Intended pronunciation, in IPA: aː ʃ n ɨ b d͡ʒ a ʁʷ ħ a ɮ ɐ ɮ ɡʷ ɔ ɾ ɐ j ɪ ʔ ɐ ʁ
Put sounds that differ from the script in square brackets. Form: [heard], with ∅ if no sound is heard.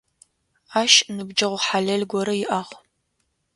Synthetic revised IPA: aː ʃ n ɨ b d͡ʒ [ɐ] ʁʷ ħ a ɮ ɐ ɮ ɡʷ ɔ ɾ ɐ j ɪ ʔ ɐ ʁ